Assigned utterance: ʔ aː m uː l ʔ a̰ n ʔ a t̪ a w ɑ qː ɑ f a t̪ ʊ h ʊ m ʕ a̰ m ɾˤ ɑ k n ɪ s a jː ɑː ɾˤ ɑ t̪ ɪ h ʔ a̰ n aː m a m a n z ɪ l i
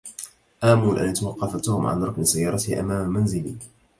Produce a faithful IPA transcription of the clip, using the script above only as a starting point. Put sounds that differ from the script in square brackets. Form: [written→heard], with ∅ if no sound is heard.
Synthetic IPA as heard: ʔ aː m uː l ʔ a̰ n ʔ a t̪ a w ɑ qː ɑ f a t̪ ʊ h ʊ m ʕ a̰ [m→n] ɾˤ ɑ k n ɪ s a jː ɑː ɾˤ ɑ t̪ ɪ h ʔ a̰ [n→m] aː m a m a n z ɪ l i